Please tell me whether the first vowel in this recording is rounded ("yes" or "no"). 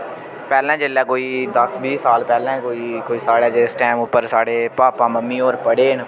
no